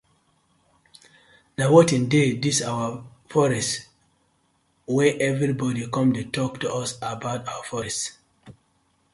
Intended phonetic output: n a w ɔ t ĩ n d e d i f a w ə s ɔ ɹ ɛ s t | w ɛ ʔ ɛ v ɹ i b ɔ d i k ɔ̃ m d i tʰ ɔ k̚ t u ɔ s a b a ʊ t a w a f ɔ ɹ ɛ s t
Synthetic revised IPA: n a w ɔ t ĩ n d e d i s a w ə f ɔ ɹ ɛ s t | w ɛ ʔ ɛ v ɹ i b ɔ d i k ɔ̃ m d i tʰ ɔ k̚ t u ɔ s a b a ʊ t a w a f ɔ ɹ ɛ s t